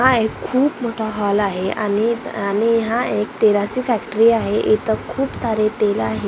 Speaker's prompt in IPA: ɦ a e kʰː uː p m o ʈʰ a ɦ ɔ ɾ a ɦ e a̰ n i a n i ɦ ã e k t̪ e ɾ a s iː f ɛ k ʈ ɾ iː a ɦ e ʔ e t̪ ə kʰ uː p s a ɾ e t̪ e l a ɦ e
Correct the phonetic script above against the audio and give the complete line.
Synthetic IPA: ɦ a e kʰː uː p m o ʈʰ a ɦ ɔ l a ɦ e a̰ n i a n i ɦ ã e k t̪ e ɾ a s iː f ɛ k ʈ ɾ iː a ɦ e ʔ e t̪ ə kʰ uː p s a ɾ e t̪ e l a ɦ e

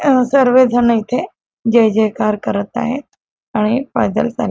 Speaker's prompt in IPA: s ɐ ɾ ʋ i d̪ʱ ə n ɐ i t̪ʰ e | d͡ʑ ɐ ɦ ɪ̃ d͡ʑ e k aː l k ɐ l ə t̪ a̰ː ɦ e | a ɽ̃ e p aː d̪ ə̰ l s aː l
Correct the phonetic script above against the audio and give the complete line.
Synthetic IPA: s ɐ ɾ ʋ e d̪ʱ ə n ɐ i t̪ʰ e | d͡ʑ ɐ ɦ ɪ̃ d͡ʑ e k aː ɾ k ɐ ɾ ə t̪ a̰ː ɦ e | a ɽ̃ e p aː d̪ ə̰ l s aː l

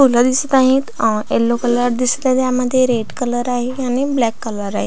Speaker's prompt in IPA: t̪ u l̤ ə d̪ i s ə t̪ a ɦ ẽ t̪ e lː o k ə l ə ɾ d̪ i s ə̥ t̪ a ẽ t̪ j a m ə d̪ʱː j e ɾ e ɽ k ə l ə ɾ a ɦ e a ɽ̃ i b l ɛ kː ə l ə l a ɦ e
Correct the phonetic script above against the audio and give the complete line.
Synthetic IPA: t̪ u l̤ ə d̪ i s ə t̪ a ɦ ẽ t̪ e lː o k ə l ə ɾ d̪ i s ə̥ t̪ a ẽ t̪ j a m ə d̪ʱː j e ɾ e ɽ k ə l ə ɾ a ɦ e a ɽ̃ i b l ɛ kː ə l ə ɾ a ɦ e

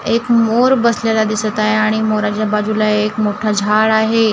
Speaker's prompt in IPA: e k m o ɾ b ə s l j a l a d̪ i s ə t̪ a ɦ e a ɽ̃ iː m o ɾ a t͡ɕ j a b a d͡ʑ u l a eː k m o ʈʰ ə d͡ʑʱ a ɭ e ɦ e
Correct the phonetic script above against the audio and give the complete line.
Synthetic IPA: e k m o ɾ b ə s l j a l a d̪ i s ə t̪ a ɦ e a ɽ̃ i m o ɾ a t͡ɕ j a b a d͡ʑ u l a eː k m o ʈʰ a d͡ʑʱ a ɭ a ɦ e

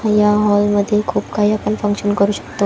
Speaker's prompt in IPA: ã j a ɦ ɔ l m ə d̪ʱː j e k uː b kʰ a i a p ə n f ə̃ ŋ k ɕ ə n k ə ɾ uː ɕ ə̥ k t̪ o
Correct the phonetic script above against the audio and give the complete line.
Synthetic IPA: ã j a ɦ ɔ l m ə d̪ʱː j e kʰ uː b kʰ a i a p ə n f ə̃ ŋ k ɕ ə n k ə ɾ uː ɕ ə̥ k t̪ o

